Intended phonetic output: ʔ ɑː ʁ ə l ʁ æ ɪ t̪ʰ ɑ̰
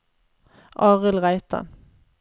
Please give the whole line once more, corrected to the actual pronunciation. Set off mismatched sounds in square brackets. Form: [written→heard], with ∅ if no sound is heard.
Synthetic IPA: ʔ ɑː ʁ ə l ʁ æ ɪ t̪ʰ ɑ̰